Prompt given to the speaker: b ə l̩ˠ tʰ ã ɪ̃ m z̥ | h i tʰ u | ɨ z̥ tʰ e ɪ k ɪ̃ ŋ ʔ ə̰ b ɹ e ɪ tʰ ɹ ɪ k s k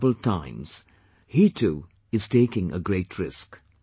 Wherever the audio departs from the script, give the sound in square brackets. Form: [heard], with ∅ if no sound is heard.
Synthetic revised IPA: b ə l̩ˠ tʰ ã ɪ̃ m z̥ | h i tʰ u | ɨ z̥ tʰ e ɪ k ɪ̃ ŋ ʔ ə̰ [ɡ] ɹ e ɪ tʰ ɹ ɪ [∅] s k